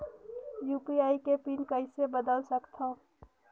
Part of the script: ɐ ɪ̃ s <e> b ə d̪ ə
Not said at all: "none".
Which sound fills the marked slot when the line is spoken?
e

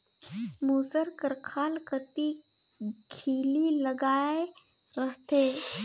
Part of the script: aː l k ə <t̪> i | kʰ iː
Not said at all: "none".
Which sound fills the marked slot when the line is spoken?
t̪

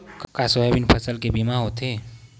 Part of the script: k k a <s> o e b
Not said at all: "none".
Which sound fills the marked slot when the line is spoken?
s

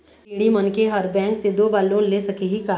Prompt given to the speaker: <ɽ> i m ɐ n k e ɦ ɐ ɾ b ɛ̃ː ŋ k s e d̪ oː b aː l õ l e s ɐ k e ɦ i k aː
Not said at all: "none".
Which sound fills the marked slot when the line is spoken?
ɽ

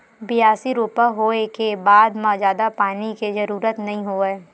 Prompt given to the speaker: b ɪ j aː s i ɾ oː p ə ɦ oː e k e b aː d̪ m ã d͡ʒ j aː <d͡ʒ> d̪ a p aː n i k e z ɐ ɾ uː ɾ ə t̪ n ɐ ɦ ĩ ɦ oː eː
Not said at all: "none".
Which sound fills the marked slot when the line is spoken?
none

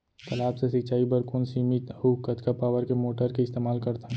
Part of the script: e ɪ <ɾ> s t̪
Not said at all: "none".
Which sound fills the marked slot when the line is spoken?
none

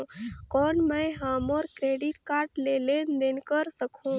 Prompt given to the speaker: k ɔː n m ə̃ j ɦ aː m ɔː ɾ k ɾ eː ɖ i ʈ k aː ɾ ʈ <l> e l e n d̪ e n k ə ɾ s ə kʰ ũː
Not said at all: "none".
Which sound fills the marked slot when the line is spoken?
l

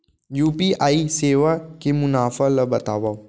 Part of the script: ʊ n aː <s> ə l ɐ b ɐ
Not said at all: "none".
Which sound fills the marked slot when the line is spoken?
f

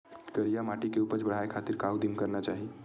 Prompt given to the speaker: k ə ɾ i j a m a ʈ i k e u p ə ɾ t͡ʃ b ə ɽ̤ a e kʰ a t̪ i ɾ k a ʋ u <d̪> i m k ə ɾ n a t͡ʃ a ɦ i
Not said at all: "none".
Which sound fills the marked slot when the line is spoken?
d̪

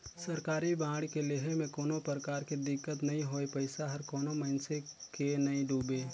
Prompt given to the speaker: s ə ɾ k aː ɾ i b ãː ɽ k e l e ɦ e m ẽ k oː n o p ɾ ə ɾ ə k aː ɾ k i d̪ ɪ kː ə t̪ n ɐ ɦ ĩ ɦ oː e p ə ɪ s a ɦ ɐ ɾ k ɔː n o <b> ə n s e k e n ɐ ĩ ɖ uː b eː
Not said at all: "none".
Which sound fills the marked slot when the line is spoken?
m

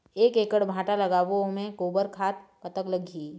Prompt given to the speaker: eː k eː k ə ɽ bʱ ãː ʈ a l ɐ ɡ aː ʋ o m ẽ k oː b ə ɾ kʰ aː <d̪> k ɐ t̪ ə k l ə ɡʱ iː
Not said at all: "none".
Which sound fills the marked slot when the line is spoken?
t̪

